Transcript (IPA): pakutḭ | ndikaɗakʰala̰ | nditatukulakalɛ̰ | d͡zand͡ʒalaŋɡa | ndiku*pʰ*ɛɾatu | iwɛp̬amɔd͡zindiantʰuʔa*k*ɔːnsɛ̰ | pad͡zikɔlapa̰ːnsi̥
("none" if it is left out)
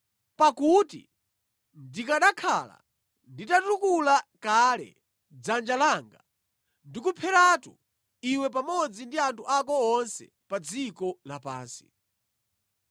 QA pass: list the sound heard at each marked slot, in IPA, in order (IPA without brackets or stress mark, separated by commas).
pʰ, k